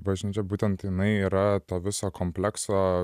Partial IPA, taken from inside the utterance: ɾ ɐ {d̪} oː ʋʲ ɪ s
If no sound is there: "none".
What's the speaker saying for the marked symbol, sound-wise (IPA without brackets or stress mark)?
t̪